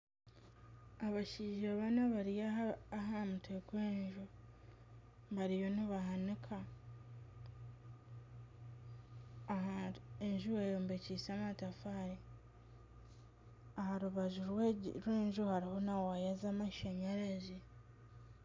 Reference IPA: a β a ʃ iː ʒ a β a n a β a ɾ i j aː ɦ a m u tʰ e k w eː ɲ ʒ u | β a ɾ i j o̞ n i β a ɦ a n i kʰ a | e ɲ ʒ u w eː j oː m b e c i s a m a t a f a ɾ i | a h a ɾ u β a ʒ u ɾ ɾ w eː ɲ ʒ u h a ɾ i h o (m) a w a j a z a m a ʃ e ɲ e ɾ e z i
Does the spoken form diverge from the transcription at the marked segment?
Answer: yes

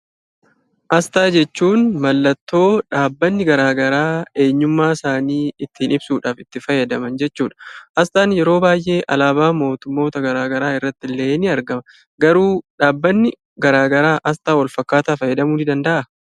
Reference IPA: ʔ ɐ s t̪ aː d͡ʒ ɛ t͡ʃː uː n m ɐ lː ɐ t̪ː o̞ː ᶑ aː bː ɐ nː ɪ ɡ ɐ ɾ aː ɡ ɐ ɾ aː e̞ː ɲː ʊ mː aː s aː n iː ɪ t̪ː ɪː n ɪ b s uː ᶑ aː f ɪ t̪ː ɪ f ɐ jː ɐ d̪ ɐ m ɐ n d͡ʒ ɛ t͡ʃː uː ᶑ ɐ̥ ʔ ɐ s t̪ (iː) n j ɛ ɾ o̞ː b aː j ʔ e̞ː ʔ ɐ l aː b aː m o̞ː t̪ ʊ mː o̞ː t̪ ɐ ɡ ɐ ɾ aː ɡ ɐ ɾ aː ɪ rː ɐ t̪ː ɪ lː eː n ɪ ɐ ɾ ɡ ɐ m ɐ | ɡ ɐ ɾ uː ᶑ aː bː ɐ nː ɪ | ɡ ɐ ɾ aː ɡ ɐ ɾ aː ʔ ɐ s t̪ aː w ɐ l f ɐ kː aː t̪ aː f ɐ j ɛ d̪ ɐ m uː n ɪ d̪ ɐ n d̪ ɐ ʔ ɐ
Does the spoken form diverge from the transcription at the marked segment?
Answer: yes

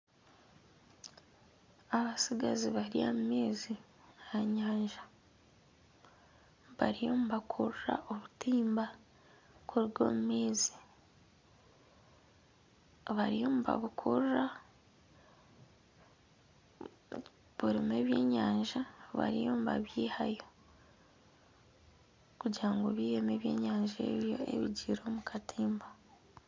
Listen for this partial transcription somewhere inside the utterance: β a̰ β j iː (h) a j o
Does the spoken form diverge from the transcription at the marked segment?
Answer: no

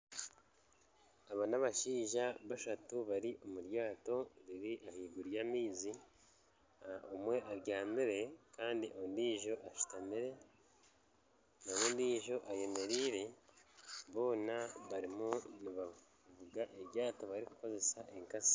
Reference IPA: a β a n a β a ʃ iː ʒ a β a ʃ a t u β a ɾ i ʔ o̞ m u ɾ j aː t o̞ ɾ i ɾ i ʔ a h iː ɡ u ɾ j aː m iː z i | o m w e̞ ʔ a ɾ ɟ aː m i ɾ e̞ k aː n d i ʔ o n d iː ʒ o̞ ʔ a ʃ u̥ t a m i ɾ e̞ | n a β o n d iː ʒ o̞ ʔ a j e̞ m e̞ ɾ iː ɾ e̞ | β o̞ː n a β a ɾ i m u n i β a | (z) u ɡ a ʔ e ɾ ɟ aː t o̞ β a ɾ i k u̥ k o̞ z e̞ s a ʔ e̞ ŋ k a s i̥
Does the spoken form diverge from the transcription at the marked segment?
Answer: yes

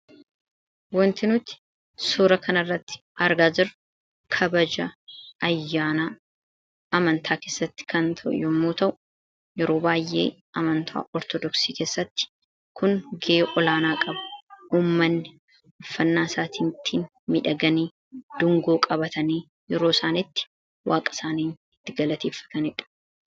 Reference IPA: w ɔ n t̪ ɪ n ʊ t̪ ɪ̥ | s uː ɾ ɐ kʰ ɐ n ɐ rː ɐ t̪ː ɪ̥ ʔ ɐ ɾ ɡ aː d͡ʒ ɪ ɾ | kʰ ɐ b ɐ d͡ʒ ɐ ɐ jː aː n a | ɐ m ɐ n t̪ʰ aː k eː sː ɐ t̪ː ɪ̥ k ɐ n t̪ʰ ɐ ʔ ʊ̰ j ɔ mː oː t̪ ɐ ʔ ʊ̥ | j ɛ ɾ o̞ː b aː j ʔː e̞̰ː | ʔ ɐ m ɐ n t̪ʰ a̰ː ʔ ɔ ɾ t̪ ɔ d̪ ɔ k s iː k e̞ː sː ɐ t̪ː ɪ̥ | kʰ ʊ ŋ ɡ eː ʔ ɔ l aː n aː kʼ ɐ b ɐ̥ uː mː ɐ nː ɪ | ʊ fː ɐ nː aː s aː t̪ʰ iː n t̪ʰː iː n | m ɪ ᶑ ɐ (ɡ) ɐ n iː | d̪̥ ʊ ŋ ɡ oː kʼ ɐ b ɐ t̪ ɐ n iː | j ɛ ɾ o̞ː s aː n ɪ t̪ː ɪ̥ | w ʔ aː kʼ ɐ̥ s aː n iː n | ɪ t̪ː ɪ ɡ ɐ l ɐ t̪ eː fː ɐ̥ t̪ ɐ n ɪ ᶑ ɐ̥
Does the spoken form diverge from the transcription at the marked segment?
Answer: no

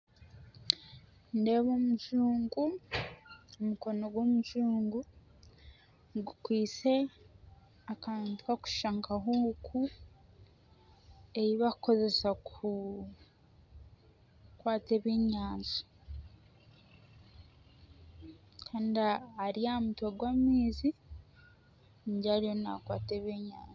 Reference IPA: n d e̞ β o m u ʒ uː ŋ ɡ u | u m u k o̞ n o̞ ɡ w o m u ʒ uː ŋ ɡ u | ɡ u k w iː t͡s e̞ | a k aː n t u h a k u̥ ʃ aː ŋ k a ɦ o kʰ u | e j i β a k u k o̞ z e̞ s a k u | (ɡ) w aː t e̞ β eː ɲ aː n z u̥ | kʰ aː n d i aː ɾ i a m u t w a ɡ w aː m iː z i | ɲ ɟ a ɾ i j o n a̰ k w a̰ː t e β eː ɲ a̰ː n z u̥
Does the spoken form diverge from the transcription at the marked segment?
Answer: yes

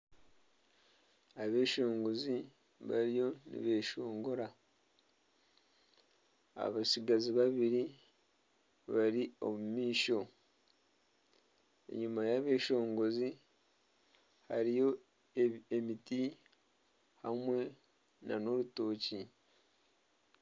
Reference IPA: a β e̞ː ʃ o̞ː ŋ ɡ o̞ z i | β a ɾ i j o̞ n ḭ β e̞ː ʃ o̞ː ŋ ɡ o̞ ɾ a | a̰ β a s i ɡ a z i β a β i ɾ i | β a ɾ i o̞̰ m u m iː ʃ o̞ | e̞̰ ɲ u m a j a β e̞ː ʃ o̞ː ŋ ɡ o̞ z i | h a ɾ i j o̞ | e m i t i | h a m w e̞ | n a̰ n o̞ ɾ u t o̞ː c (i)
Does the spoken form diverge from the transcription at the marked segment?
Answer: no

